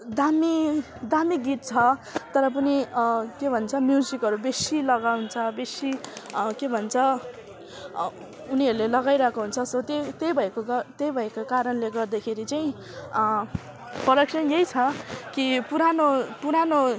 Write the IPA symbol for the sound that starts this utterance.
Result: d̪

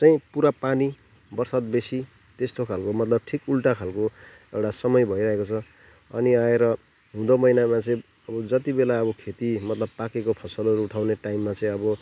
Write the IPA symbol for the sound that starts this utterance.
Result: t͡s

